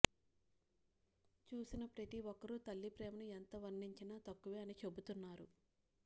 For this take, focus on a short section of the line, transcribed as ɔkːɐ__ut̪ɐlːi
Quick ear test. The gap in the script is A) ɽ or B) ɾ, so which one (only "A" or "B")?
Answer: B